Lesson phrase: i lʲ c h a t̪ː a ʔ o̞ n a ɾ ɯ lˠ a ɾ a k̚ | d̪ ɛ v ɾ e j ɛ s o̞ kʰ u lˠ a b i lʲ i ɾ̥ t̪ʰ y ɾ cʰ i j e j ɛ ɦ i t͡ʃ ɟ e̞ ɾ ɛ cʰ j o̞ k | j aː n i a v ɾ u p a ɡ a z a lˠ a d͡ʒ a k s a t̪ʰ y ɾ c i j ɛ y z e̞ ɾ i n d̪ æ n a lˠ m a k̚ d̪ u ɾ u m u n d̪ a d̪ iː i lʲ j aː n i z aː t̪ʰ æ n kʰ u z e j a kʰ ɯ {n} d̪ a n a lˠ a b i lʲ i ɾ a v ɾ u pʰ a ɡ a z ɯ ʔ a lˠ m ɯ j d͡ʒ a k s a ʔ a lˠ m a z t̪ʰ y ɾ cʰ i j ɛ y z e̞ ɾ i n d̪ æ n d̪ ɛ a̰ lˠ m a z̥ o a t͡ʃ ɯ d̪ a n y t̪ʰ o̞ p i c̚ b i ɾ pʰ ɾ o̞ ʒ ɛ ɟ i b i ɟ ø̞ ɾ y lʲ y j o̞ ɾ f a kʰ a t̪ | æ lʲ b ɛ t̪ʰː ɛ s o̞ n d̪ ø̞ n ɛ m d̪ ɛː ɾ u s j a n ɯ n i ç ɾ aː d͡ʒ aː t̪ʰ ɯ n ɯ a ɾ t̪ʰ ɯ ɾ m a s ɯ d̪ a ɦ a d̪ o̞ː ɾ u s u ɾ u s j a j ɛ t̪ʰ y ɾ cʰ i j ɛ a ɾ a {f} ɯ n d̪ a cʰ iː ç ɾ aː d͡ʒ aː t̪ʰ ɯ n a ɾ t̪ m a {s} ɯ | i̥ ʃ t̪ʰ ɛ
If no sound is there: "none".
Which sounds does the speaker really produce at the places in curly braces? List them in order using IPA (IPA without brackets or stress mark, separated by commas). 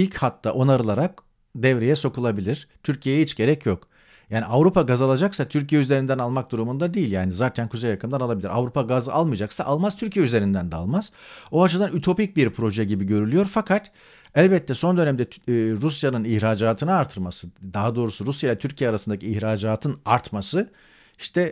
m, s, s